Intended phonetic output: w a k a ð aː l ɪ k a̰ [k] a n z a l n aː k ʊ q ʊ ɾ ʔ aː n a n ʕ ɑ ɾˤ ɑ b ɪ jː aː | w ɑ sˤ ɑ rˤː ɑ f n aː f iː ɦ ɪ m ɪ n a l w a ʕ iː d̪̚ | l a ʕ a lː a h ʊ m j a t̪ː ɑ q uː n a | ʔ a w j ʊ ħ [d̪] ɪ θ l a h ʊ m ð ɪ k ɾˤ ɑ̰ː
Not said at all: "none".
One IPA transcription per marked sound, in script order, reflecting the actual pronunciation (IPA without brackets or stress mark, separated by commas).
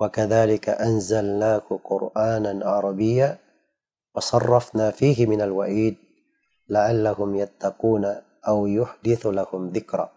ʔ, d̪